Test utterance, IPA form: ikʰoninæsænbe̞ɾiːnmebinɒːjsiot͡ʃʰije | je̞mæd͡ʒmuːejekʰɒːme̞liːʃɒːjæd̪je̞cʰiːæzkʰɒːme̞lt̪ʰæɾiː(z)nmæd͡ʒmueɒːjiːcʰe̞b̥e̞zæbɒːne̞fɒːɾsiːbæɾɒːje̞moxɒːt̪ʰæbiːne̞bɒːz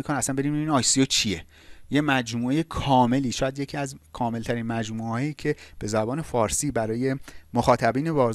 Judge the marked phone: incorrect: none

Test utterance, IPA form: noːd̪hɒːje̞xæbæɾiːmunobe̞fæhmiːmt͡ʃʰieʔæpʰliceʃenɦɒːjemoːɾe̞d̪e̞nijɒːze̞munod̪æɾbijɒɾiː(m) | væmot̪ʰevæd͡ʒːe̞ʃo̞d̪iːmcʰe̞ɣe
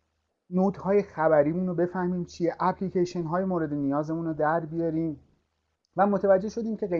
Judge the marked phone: correct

